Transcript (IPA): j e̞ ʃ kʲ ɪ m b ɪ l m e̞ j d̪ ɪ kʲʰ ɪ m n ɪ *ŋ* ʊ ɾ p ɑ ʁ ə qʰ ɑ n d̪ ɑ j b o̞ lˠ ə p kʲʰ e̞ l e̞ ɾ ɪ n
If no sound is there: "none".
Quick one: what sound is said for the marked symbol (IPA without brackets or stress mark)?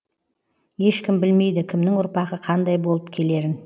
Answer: ŋ